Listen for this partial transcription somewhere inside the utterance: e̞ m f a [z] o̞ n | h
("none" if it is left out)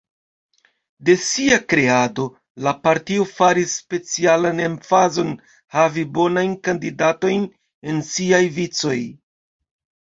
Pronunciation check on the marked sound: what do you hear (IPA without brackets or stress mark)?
z